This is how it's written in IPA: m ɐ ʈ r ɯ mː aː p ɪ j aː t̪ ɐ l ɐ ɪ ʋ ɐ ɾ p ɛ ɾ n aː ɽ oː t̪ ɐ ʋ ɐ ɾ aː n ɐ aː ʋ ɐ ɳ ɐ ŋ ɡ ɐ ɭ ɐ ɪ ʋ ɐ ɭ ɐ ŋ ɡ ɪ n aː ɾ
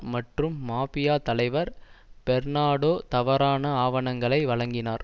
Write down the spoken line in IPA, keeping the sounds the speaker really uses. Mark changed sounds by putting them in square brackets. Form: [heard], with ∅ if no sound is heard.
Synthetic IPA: m ɐ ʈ r ɯ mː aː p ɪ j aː t̪ ɐ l ɐ ɪ ʋ ɐ ɾ p ɛ ɾ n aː ɽ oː t̪ ɐ ʋ ɐ ɾ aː n ɐ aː ʋ ɐ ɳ ɐ ŋ ɡ ɐ ɭ ɐ ɪ ʋ ɐ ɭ ɐ ŋ ɡ ɪ n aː ɾ